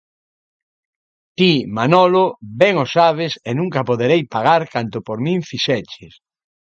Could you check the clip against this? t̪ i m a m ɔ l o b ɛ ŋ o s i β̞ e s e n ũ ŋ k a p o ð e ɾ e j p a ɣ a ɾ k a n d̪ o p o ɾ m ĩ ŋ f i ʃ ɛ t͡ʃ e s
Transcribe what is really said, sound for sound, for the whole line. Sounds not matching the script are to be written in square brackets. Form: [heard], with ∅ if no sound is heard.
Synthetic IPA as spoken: t̪ i m a [n] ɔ l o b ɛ ŋ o s [a] β̞ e s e n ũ ŋ k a p o ð e ɾ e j p a ɣ a ɾ k a n [t̪] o p o ɾ m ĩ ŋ f i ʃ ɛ t͡ʃ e s